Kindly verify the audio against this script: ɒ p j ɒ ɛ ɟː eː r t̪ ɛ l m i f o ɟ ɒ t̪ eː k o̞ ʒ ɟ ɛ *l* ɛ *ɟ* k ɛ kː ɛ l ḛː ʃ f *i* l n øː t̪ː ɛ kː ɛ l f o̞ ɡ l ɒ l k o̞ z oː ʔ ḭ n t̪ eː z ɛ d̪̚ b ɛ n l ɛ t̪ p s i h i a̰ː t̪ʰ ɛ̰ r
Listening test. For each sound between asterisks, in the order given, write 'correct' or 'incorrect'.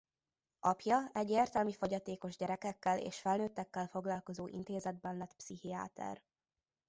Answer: incorrect, incorrect, incorrect

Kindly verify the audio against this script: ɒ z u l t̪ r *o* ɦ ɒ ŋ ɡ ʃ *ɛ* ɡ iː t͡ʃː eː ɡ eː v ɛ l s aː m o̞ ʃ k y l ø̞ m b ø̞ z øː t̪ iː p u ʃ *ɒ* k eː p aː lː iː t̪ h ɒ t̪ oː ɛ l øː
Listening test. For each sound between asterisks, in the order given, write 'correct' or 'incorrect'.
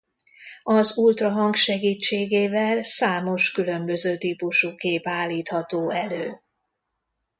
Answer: incorrect, correct, incorrect

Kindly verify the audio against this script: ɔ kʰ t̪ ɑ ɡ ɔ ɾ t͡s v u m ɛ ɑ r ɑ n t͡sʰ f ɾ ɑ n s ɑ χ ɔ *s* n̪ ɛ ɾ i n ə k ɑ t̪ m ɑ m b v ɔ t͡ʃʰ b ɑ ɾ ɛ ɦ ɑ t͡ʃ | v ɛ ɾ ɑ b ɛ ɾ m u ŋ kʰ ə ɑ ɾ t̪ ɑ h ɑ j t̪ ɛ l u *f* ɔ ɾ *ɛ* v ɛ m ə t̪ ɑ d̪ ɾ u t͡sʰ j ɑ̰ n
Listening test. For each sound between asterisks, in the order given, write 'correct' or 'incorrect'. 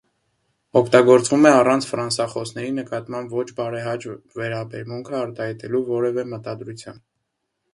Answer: correct, incorrect, correct

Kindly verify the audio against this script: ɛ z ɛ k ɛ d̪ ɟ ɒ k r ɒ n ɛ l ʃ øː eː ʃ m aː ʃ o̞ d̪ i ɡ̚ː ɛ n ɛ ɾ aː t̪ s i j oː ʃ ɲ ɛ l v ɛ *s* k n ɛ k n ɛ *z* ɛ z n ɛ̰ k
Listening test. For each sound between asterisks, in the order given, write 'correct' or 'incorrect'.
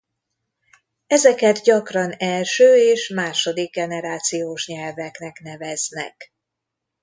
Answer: incorrect, incorrect

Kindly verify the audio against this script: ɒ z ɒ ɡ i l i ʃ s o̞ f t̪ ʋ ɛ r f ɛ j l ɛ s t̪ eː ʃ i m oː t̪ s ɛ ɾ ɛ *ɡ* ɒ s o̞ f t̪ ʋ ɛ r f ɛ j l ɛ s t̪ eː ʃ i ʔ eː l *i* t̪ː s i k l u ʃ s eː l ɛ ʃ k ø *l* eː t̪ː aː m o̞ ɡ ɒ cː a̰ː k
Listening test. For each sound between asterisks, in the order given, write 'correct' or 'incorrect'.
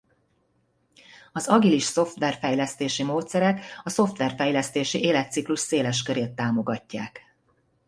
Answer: incorrect, incorrect, incorrect

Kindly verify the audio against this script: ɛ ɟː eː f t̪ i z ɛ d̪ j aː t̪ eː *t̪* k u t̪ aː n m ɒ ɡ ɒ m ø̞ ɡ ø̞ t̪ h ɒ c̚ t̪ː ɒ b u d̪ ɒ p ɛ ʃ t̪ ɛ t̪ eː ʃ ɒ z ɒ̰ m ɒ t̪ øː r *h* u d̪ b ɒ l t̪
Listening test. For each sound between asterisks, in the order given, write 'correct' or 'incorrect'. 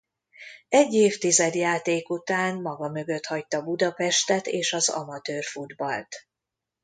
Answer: incorrect, incorrect

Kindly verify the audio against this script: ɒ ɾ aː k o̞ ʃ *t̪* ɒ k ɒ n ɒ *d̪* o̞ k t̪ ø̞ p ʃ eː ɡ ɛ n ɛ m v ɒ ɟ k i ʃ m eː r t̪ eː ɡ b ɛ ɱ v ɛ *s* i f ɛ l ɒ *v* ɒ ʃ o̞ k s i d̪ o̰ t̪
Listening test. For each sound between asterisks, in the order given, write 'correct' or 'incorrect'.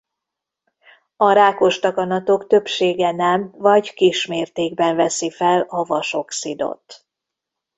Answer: correct, incorrect, correct, correct

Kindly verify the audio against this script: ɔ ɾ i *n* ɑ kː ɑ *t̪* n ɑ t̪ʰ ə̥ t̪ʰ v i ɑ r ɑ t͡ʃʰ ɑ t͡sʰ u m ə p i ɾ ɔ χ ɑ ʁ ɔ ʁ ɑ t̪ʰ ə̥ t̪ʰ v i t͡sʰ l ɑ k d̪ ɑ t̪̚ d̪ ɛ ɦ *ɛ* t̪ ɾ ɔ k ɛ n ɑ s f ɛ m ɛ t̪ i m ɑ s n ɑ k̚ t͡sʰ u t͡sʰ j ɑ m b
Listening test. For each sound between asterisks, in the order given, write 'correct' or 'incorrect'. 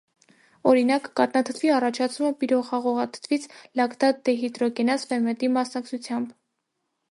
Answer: correct, correct, incorrect

